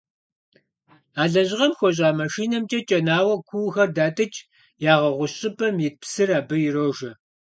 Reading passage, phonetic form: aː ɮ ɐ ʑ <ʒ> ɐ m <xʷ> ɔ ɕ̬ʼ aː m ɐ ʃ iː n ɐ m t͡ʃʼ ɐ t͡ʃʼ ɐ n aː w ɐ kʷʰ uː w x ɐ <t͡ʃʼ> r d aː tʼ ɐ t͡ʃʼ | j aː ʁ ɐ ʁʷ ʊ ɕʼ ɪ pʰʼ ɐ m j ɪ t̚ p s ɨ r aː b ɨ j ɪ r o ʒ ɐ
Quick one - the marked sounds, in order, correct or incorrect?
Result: incorrect: ʁ, correct, incorrect: none

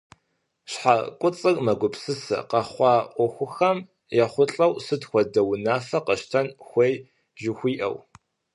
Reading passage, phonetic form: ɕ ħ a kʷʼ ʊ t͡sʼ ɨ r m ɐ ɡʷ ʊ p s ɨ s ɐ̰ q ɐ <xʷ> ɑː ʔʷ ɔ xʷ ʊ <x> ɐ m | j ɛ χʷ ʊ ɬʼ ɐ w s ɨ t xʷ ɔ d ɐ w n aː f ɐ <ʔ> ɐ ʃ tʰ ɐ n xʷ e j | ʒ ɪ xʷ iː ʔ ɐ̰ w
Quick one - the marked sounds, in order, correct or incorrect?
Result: incorrect: χʷ, correct, incorrect: q

